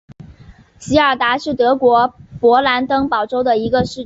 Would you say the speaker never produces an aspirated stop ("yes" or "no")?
yes